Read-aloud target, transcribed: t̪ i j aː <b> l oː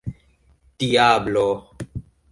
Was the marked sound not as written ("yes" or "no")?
no